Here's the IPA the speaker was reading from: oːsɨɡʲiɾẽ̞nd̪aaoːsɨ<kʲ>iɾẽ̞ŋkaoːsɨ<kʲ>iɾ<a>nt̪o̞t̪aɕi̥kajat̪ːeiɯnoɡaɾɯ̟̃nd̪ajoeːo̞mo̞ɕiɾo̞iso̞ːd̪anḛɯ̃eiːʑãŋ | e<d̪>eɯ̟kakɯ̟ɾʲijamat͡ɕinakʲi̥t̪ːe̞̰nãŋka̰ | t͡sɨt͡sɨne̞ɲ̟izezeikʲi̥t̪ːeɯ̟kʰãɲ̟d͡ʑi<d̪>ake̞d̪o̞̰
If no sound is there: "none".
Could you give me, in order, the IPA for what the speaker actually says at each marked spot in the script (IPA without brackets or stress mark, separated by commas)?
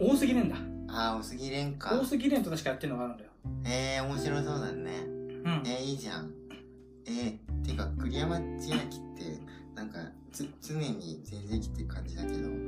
ɡʲ, ɡʲ, e, t̪, d̪